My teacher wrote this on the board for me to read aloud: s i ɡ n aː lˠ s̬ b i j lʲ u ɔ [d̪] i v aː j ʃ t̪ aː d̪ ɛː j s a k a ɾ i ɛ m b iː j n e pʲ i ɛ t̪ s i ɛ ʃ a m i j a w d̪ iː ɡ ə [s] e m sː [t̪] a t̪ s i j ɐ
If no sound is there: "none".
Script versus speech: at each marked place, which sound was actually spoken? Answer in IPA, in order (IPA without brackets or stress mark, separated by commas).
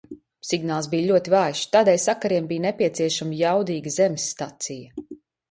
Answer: t̪, z, t̪